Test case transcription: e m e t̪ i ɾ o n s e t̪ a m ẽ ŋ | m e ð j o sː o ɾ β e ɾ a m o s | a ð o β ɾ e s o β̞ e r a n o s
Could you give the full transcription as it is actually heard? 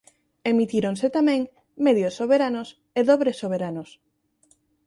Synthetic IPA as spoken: e m i t̪ i ɾ o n s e t̪ a m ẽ ŋ | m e ð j o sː o β e ɾ a n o s | e ð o β ɾ e s o β̞ e ɾ a n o s